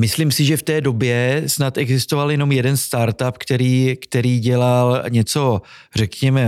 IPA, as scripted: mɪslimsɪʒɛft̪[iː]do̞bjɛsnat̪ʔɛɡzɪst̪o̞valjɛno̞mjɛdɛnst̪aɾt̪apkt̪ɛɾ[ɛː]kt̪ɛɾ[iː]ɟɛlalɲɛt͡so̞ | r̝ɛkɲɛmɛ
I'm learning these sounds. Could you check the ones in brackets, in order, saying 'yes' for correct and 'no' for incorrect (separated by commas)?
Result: no, no, yes